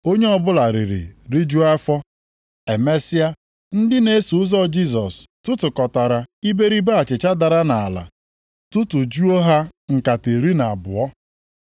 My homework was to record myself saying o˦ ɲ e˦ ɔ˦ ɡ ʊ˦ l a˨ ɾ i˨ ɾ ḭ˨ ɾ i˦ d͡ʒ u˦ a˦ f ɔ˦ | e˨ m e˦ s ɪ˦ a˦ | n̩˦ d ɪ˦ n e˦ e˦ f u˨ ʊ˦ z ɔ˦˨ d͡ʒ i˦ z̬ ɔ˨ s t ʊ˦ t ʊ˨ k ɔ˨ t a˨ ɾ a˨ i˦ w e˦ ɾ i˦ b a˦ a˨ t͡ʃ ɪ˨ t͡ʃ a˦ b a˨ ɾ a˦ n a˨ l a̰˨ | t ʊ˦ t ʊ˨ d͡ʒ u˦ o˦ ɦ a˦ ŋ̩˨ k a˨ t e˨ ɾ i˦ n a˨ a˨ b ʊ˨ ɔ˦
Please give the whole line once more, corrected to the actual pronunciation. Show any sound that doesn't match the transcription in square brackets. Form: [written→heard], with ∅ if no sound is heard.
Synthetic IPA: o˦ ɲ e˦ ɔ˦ [ɡ→b] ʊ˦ l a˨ ɾ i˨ ɾ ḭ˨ ɾ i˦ d͡ʒ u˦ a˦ f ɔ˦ | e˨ m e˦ s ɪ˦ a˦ | n̩˦ d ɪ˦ n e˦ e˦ [f→s] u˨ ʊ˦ z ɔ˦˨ d͡ʒ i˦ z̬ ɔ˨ s t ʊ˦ t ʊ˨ k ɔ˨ t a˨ ɾ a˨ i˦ [w→b] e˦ ɾ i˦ b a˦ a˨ t͡ʃ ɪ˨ t͡ʃ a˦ [b→d] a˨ ɾ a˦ n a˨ l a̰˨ | t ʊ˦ t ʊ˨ d͡ʒ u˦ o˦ ɦ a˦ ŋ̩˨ k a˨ t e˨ ɾ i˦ n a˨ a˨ b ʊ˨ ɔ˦